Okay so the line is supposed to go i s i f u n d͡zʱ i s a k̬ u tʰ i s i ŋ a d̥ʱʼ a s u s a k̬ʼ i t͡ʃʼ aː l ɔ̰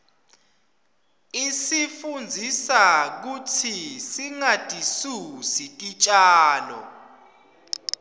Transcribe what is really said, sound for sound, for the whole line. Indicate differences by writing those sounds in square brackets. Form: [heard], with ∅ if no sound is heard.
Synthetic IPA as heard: i s i f u n d͡zʱ i s a k̬ u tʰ i s i ŋ a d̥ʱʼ [i] s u s [i] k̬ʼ i t͡ʃʼ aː l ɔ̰